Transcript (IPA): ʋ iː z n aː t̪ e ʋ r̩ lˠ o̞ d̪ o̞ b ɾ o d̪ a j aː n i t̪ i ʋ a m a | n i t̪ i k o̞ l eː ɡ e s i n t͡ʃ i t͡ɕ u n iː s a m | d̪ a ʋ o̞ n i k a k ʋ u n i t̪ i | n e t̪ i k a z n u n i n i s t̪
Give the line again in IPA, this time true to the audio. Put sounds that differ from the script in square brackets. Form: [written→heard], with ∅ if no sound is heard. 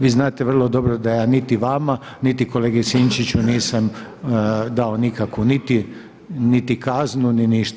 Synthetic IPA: ʋ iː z n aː t̪ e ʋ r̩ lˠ o̞ d̪ o̞ b ɾ o d̪ a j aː n i t̪ i ʋ a m a | n i t̪ i k o̞ l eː ɡ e s i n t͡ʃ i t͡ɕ u n iː s a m | d̪ a [ʋ→∅] o̞ n i k a k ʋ u n i t̪ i | n [e→i] t̪ i k a z n u n i n i [s→ʃ] t̪